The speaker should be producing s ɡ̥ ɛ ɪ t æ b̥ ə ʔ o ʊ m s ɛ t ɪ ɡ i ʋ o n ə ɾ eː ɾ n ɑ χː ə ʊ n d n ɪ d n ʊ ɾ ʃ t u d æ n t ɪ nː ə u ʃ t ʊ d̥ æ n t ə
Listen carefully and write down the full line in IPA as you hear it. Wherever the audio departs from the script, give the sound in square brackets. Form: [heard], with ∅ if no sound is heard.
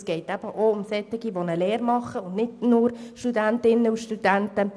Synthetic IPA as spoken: s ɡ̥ ɛ ɪ t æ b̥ ə ʔ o ʊ m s ɛ t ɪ ɡ i ʋ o n ə [l] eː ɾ [m] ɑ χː ə ʊ n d n ɪ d n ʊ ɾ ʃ t u d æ n t ɪ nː ə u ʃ t [u] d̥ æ n t ə

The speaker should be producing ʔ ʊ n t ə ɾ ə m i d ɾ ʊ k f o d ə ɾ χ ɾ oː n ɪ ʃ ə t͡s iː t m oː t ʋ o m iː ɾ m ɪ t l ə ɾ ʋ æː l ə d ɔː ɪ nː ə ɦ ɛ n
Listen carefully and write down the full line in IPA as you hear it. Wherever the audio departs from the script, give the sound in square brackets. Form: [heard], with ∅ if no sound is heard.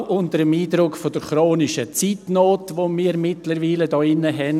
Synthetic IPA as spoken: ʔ ʊ n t ə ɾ ə m [iː] d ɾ ʊ k f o d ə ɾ χ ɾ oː n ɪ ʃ ə t͡s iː t [n] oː t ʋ o m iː ɾ m ɪ t l ə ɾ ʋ [iː] l ə d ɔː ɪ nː ə ɦ ɛ n

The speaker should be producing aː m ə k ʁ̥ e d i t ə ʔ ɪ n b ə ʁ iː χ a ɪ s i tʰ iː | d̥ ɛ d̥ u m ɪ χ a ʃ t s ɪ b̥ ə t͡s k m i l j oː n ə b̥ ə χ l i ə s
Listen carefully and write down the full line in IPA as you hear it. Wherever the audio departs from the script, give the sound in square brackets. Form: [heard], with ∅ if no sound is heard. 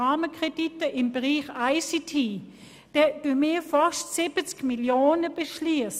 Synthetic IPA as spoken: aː m ə k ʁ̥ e d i t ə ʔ ɪ [m] b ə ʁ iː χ a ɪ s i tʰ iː | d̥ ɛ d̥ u m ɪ [f] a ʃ t s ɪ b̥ ə t͡s k m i l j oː n ə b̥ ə [ʃ] l i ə s

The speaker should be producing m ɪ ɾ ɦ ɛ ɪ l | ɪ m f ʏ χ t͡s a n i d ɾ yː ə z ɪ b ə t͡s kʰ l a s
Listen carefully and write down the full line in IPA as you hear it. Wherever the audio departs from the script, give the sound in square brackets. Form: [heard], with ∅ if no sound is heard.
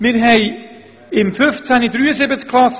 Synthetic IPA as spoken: m ɪ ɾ ɦ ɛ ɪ [∅] | ɪ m f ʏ [f] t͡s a n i d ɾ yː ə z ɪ b ə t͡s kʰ l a s

